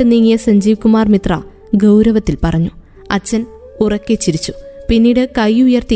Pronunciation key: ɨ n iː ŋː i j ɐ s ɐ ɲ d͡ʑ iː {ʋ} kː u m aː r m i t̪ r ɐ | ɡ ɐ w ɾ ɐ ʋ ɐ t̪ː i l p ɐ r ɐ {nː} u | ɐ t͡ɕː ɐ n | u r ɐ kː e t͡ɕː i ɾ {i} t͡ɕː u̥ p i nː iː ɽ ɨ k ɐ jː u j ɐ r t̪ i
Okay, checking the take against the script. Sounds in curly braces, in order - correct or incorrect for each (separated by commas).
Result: correct, incorrect, correct